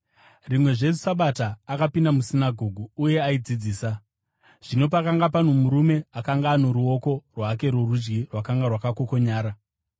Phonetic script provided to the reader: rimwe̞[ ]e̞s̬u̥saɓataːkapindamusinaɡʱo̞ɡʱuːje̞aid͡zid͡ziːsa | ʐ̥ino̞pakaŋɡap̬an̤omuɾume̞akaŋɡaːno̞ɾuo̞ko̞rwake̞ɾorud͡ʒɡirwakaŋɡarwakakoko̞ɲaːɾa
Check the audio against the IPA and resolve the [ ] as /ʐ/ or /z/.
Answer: ʐ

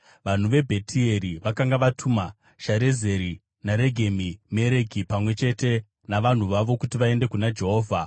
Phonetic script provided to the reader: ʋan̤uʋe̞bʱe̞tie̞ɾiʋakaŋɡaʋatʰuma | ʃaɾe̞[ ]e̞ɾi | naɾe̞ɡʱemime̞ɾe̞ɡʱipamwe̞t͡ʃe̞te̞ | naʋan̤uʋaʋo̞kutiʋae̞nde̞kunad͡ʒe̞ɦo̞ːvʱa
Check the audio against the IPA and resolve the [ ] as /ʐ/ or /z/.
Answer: z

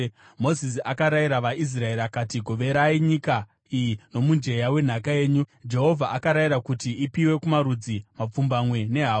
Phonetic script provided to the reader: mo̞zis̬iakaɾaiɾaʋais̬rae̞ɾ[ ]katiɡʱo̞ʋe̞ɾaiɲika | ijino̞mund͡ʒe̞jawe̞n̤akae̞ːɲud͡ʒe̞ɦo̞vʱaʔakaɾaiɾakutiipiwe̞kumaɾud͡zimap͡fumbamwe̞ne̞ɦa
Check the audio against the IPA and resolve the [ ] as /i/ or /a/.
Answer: a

